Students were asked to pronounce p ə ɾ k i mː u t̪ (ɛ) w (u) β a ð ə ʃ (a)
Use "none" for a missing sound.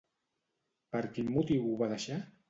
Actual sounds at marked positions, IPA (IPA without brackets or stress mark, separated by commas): i, u, a